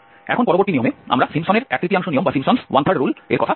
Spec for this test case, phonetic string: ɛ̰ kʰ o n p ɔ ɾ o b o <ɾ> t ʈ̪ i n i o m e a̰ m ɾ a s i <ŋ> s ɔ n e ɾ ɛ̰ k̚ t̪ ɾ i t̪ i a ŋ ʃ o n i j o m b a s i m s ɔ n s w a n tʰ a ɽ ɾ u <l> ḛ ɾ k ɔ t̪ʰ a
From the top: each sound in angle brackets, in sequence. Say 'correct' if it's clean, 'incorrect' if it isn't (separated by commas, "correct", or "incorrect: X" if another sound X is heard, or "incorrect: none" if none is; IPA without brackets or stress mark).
correct, incorrect: m, correct